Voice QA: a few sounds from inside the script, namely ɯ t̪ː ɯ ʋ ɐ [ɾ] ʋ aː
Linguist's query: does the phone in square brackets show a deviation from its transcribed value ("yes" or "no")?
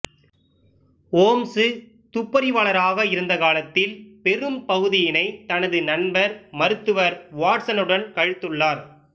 no